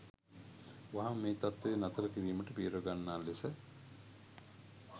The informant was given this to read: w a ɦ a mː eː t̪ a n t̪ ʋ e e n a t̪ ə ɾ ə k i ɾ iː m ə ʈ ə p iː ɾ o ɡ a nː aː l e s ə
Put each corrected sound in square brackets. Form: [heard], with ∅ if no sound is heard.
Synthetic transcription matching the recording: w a ɦ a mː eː t̪ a [∅] t̪ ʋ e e n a t̪ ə ɾ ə k i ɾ iː m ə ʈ ə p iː ɾ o ɡ a nː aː l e s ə